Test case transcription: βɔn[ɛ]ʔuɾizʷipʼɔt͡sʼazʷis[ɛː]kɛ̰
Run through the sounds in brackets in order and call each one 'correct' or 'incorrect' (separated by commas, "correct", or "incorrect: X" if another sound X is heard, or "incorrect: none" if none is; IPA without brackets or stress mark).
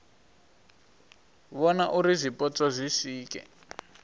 incorrect: a, incorrect: iː